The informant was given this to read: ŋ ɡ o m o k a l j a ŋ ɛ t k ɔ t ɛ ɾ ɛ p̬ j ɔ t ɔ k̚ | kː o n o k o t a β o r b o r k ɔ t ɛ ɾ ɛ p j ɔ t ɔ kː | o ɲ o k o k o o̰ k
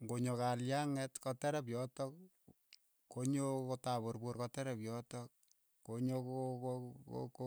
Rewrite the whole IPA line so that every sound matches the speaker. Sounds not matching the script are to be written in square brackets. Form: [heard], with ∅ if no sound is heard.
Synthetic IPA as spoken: ŋ ɡ o [ɲ] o k a l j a ŋ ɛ t k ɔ t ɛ ɾ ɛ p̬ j ɔ t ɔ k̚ | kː o [ɲ] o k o t a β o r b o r k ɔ t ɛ ɾ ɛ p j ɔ t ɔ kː | o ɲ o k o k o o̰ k